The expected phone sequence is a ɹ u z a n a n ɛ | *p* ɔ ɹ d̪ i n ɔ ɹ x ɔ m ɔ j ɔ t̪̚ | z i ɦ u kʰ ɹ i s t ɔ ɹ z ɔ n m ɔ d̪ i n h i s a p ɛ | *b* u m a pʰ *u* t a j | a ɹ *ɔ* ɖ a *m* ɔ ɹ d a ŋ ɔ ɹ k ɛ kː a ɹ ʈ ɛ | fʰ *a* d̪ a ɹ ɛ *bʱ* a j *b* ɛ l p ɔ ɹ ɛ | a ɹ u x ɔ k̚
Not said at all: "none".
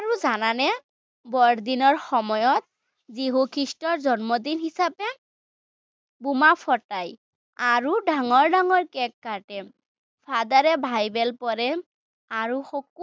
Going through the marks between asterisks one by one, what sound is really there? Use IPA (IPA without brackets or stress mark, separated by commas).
b, b, ɔ, u, ŋ, a, bʱ, b